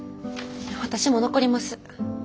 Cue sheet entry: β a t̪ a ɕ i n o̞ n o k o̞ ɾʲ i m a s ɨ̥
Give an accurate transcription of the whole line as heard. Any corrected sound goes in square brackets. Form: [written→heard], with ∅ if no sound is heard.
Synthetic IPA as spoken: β a t̪ a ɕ i [n→m] o̞ n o k o̞ ɾʲ i m a s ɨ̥